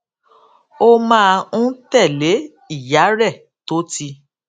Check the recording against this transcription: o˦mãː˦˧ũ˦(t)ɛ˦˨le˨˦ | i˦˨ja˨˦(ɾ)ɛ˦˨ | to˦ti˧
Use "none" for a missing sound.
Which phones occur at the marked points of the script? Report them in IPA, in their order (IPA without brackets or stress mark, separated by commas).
t, ɾ